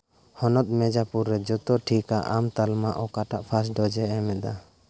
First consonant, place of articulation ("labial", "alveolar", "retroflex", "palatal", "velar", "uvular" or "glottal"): glottal